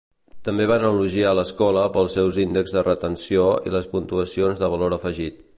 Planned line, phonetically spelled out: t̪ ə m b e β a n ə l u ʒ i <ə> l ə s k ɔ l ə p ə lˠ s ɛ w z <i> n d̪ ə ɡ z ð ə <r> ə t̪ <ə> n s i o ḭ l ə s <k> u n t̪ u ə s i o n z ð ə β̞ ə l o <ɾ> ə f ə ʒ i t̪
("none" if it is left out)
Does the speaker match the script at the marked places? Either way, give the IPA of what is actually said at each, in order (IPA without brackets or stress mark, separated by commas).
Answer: a, i, r, ə, p, ɾ